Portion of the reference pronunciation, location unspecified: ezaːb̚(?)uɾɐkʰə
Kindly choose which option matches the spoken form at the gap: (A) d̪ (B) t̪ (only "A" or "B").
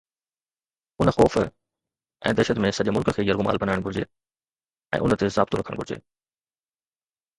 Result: B